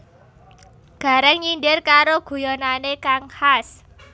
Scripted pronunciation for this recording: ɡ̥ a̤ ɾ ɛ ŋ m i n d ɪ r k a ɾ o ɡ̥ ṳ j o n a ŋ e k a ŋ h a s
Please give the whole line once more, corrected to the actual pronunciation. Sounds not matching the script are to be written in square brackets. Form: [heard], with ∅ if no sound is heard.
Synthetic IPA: ɡ̥ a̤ ɾ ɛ ŋ [ɲ] i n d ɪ r k a ɾ o ɡ̥ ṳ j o n a [n] e k a ŋ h a s